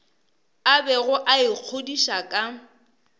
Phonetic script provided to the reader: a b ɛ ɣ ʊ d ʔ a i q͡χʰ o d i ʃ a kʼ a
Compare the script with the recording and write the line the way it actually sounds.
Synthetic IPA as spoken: a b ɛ ɣ ʊ ʔ a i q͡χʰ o d i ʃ a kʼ a